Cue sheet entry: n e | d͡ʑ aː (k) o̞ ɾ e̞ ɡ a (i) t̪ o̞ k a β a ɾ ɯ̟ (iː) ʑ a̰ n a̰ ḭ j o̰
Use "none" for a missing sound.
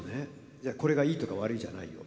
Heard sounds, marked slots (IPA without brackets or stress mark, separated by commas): k, iː, i